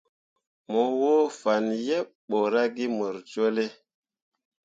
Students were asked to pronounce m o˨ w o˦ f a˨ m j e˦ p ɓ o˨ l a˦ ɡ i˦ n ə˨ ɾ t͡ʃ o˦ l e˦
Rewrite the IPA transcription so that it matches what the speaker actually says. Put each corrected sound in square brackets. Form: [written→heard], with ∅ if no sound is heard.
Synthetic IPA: m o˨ w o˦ f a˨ [m→n] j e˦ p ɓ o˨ [l→ɾ] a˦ ɡ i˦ [n→m] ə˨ ɾ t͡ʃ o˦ l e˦